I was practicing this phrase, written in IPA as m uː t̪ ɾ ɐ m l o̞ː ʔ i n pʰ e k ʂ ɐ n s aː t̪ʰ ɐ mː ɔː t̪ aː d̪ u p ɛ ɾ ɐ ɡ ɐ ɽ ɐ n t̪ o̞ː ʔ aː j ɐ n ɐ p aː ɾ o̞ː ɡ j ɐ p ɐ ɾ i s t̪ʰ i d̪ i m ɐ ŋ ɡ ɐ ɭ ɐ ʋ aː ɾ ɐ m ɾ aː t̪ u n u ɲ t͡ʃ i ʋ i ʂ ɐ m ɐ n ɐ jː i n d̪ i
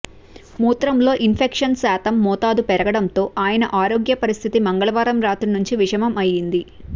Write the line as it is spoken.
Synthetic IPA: m uː t̪ ɾ ɐ m l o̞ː ʔ i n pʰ e k ʂ ɐ n s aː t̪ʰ ɐ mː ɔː t̪ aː d̪ u p ɛ ɾ ɐ ɡ ɐ ɽ ɐ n t̪ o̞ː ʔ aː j ɐ n ɐ ʔ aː ɾ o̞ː ɡ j ɐ p ɐ ɾ i s t̪ʰ i t̪ i m ɐ ŋ ɡ ɐ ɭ ɐ ʋ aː ɾ ɐ m ɾ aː t̪ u n u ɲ t͡ʃ i ʋ i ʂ ɐ m ɐ m ɐ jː i n d̪ i